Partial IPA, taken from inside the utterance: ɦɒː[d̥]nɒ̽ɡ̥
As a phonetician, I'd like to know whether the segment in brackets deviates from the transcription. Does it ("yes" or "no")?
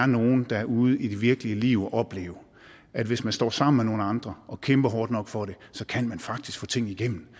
no